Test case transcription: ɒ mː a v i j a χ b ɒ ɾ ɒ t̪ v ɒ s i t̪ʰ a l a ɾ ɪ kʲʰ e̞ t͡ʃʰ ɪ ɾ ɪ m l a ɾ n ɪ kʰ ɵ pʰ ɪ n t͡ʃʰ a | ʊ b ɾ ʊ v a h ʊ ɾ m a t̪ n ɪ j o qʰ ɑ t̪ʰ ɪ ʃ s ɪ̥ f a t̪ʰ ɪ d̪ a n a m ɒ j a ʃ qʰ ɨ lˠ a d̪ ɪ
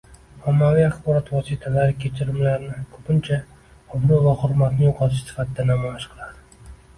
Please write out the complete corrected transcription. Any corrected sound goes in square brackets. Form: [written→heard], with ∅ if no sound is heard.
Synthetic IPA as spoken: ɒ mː a v i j a χ b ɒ ɾ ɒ t̪ v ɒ s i t̪ʰ a l a ɾ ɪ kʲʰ e̞ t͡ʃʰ ɪ ɾ ɪ m l a ɾ n ɪ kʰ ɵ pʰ ɪ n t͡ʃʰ a | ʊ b ɾ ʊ v a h ʊ ɾ m a t̪ n ɪ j o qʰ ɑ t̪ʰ ɪ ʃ s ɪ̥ f a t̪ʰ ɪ d̪ a n a m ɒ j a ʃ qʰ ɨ lˠ a d̪ ɪ